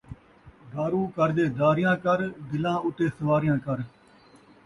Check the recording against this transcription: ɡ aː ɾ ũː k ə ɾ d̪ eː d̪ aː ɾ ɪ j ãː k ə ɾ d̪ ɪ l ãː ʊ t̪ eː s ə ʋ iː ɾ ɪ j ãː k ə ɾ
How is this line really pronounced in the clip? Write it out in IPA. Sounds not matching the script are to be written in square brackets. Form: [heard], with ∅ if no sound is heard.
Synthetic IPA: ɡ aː ɾ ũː k ə ɾ d̪ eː d̪ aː ɾ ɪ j ãː k ə ɾ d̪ ɪ l ãː ʊ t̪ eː s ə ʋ [aː] ɾ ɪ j ãː k ə ɾ